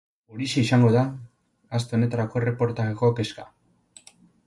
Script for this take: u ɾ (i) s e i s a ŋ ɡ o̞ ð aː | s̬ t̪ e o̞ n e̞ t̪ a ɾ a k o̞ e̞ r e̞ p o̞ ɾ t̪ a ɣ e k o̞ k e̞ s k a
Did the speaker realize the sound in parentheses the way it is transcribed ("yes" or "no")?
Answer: yes